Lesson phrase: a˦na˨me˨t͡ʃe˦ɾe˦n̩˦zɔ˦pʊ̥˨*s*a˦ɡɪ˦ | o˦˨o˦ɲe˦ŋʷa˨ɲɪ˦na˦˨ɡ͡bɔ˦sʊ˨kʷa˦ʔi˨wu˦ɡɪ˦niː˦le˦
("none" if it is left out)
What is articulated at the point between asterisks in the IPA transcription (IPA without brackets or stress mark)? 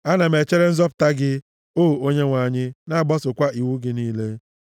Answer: t